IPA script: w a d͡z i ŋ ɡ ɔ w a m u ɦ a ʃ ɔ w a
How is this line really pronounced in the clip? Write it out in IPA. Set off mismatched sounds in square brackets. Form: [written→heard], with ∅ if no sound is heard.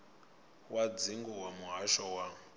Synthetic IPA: w a d͡z i ŋ ɡ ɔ w a m u ɦ a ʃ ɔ w a